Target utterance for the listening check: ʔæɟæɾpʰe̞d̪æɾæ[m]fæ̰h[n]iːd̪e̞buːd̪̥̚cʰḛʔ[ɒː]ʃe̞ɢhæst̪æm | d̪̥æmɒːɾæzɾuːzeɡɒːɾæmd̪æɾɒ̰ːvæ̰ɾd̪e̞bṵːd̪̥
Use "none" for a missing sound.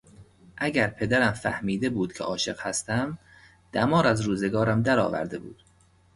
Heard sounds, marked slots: m, m, ɒː

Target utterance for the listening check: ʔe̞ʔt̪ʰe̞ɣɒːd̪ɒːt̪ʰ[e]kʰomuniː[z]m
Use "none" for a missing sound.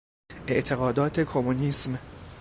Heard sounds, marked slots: e, s

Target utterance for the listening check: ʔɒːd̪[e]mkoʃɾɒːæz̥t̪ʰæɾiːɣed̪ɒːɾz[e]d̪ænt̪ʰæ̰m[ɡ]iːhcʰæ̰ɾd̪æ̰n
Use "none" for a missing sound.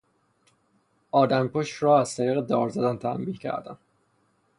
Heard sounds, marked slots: æ, æ, b

